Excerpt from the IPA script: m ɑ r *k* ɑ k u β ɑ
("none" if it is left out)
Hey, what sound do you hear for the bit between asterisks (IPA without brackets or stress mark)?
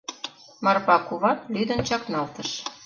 p